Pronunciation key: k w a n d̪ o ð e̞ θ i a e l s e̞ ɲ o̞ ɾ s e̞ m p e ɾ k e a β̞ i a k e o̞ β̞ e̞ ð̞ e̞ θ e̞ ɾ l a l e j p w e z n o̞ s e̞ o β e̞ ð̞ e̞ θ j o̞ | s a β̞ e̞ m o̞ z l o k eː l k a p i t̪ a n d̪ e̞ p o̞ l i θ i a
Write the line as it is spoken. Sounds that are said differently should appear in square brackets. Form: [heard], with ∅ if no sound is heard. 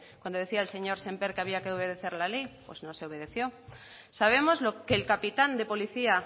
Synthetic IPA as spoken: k w a n d̪ o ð e̞ θ i a e l s e̞ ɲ o̞ ɾ s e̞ m p e ɾ k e a β̞ i a k e o̞ β̞ e̞ ð̞ e̞ θ e̞ ɾ l a l e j p w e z n o̞ s e̞ o β e̞ ð̞ e̞ θ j o̞ | s a β̞ e̞ m o̞ z l o k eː l k a p i t̪ a n d̪ e̞ p o̞ l i θ i a